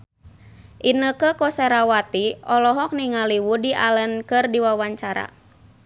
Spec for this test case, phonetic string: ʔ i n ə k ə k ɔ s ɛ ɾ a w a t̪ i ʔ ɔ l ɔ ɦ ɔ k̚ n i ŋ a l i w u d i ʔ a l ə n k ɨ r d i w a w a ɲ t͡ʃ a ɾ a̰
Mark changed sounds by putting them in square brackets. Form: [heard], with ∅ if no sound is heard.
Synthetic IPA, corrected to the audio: ʔ i n ə k ə k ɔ s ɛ ɾ a w a t̪ i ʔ ɔ l ɔ ɦ ɔ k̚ n i ŋ a l i w u d i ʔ a l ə n k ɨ r d i w a w a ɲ t͡ʃ a ɾ a̰